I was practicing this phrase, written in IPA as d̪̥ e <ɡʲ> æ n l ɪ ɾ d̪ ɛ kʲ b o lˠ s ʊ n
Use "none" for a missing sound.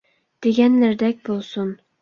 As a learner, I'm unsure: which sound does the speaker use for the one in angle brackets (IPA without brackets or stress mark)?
ɡʲ